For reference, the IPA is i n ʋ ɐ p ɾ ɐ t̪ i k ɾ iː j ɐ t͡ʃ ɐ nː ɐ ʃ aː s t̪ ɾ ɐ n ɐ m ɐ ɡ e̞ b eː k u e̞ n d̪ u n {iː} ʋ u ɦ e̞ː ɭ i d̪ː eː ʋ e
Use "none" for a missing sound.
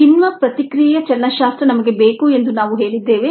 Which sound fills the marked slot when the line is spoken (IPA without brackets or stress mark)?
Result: aː